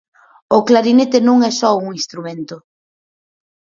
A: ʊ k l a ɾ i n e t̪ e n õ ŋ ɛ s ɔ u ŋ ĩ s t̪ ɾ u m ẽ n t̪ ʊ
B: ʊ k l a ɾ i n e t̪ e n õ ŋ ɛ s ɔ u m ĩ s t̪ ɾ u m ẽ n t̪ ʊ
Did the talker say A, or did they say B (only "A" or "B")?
A